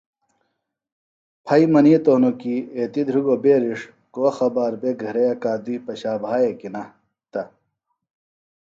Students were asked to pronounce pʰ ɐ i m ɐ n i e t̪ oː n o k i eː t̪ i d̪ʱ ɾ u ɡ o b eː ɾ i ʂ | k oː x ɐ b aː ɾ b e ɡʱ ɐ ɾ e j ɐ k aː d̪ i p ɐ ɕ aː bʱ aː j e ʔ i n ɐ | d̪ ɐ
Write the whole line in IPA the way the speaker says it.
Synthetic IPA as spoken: pʰ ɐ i m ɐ n i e t̪ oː n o k i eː t̪ i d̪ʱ ɾ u ɡ o b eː ɾ i ʂ | k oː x ɐ b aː ɾ b e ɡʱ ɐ ɾ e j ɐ k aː d̪ i p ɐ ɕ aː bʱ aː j e k i n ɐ | t̪ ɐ